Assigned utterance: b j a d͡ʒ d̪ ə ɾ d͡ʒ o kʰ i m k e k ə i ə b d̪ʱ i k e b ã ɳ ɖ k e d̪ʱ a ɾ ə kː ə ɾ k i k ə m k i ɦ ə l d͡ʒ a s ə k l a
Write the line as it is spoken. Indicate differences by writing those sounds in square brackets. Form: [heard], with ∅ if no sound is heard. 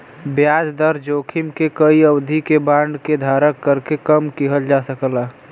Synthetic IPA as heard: b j a d͡ʒ d̪ ə ɾ d͡ʒ o kʰ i m k e k ə i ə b d̪ʱ i k e b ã ɳ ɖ k e d̪ʱ a ɾ ə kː ə ɾ k [e] k ə m k i ɦ ə l d͡ʒ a s ə k l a